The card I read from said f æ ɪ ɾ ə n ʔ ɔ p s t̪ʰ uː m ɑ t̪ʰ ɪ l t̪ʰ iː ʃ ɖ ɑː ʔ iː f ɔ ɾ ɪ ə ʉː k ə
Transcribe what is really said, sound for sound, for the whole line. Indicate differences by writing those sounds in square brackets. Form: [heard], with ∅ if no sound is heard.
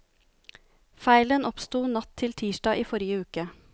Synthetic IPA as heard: f æ ɪ [l] ə n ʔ ɔ p s [t̪] uː [n] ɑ t̪ʰ ɪ l t̪ʰ iː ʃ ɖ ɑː ʔ iː f ɔ ɾ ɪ ə ʉː k ə

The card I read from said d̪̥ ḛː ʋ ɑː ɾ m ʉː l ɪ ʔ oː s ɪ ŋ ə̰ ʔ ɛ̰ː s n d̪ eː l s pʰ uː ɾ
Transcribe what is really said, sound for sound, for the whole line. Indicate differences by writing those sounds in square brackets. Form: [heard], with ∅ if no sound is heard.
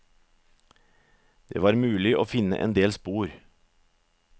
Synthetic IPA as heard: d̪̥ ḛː ʋ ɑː ɾ m ʉː l ɪ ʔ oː [f] ɪ [n] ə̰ ʔ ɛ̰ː [∅] n d̪ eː l s [p] uː ɾ

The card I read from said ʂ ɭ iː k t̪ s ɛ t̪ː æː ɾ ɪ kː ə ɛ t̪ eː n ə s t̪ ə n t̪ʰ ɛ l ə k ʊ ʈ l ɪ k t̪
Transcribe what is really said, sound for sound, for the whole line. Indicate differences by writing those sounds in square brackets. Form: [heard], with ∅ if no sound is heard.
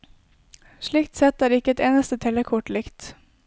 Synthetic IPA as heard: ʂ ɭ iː k t̪ s ɛ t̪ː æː ɾ ɪ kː ə ɛ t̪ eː n ə s t̪ ə [∅] t̪ʰ ɛ l ə [kʰ] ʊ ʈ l ɪ k t̪

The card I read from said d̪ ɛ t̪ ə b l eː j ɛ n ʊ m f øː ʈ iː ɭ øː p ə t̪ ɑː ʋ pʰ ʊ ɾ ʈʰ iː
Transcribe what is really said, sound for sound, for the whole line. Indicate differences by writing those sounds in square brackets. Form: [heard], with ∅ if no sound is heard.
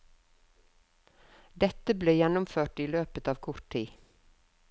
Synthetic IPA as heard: d̪ ɛ t̪ ə b l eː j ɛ n ʊ m f øː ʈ iː [l] øː p ə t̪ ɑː ʋ [kʰ] ʊ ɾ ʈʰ iː

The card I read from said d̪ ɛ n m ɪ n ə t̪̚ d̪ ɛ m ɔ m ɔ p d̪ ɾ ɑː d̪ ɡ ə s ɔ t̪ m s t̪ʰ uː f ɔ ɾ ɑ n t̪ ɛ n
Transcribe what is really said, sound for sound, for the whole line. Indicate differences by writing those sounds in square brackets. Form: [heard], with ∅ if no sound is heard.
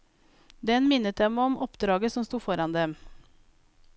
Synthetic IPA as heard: d̪ ɛ n m ɪ n ə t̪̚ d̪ ɛ m ɔ m ɔ p d̪ ɾ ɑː [∅] ɡ ə s ɔ [∅] m s [t̪] uː f ɔ ɾ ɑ n [d̪] ɛ [m]

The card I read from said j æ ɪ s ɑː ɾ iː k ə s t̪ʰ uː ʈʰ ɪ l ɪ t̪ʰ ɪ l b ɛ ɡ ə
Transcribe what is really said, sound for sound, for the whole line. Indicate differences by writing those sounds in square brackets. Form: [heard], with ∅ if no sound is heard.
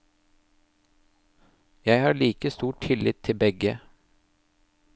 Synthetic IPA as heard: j æ ɪ [h] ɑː [ɭ] iː k ə s [t̪] uː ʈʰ ɪ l ɪ t̪ʰ ɪ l b ɛ ɡ ə

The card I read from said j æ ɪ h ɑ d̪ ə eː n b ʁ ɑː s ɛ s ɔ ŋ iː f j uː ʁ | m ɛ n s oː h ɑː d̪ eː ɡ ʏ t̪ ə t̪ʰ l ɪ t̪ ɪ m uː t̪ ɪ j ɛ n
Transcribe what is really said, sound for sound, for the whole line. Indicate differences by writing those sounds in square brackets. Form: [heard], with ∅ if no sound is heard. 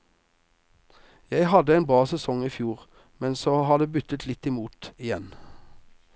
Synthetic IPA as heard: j æ ɪ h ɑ d̪ ə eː n b ʁ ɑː s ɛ s ɔ ŋ iː f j uː ʁ | m ɛ n s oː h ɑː d̪ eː [b] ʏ t̪ ə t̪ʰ l ɪ t̪ ɪ m uː t̪ ɪ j ɛ n

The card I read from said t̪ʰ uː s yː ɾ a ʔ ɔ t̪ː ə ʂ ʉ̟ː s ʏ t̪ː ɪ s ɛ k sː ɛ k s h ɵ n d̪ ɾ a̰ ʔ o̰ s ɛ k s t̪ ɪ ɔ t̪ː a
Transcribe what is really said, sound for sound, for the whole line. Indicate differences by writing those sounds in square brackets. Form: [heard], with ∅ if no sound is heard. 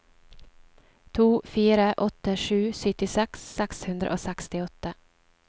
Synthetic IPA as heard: t̪ʰ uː [f] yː ɾ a ʔ ɔ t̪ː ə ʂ ʉ̟ː s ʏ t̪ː ɪ s ɛ k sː ɛ k s h ɵ n d̪ ɾ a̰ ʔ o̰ s ɛ k s t̪ ɪ ɔ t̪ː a

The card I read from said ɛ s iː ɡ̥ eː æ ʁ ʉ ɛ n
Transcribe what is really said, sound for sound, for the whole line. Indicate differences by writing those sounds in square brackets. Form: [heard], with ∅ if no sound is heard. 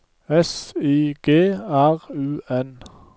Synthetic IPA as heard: ɛ s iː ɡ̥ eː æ ʁ [ʉː] ɛ n

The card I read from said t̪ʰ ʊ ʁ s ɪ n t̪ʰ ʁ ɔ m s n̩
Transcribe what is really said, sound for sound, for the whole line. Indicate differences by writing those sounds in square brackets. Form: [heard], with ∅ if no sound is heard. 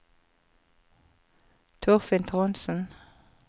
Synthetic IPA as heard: t̪ʰ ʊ ʁ [f] ɪ n t̪ʰ ʁ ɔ [n] s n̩

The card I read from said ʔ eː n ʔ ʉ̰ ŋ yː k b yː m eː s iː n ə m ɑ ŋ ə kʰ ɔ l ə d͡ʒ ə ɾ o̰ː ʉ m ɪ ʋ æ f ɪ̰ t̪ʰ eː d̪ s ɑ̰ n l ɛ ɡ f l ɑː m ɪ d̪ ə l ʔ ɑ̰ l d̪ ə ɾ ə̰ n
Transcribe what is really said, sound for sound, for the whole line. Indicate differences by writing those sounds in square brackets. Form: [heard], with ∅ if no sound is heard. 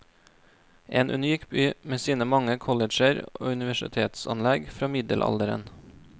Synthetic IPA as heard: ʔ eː n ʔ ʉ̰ [n] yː k b yː m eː s iː n ə m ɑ ŋ ə kʰ ɔ l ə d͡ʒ ə ɾ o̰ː ʉ [n] ɪ ʋ æ [ʃ] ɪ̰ t̪ʰ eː [t̪] s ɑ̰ n l ɛ ɡ f [ɾ] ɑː m ɪ d̪ ə l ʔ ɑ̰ l d̪ ə ɾ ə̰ n

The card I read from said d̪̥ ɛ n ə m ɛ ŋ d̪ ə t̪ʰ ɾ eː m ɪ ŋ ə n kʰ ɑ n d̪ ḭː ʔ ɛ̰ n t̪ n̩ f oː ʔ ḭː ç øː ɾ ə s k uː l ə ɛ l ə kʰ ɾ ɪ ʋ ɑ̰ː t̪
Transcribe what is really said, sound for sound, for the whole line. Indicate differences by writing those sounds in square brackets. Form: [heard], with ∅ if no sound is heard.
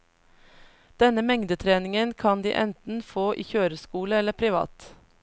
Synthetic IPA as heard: d̪̥ ɛ n ə m ɛ ŋ d̪ ə t̪ʰ ɾ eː [n] ɪ ŋ ə n kʰ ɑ n d̪ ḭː ʔ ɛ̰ n t̪ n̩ f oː ʔ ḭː ç øː ɾ ə s k uː l ə ɛ l ə [pʰ] ɾ ɪ ʋ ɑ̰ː t̪

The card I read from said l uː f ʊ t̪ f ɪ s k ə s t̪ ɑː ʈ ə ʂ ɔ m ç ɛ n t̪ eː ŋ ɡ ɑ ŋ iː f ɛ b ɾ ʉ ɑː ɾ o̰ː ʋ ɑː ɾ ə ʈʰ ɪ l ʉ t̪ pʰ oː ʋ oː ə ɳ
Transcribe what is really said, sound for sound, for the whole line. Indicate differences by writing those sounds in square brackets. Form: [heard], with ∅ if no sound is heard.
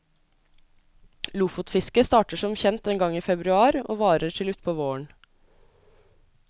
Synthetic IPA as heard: l uː f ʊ t̪ f ɪ s k ə s t̪ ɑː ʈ ə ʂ ɔ m ç ɛ n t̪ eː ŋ ɡ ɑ ŋ iː f ɛ b ɾ ʉ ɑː ɾ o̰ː ʋ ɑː ɾ ə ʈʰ ɪ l ʉ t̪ pʰ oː ʋ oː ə ɳ

